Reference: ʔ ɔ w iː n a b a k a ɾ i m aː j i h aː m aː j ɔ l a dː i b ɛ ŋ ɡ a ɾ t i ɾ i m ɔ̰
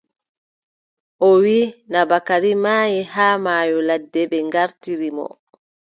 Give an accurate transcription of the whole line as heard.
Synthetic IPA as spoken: ʔ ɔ w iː n a b a k a ɾ i m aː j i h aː m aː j ɔ l a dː ɛ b ɛ ŋ ɡ a ɾ t i ɾ i m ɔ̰